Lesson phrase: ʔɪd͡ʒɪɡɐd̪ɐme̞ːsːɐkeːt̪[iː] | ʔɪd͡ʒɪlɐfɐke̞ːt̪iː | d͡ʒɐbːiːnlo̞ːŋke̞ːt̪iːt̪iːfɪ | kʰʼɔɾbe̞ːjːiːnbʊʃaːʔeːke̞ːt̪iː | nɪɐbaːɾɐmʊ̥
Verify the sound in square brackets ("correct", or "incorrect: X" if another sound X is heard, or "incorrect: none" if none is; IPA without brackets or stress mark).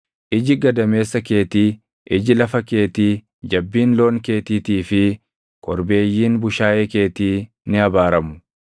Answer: correct